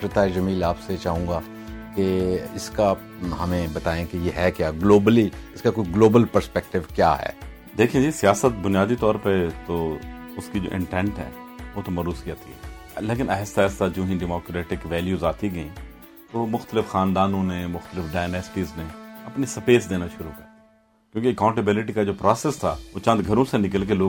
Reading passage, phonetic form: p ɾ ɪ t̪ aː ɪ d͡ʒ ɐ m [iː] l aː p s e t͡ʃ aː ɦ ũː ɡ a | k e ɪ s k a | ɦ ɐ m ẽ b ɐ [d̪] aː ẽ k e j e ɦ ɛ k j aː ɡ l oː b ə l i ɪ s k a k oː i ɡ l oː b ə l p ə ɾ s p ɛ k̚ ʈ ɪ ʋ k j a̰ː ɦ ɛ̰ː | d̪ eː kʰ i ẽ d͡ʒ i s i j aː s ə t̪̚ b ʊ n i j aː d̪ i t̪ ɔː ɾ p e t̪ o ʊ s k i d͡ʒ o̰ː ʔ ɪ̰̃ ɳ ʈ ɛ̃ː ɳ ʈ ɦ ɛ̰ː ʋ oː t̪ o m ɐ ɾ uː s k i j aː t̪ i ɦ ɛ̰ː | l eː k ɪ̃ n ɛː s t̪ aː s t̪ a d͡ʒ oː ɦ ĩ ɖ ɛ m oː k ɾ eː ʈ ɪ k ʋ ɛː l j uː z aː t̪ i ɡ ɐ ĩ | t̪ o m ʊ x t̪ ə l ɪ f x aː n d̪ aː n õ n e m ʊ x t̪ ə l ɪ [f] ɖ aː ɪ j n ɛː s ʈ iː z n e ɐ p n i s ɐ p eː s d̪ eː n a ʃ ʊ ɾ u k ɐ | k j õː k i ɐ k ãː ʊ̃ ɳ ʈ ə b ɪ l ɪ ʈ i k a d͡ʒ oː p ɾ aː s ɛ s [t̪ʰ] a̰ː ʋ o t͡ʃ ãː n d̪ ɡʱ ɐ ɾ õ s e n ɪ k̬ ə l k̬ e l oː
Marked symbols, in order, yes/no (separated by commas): yes, no, yes, yes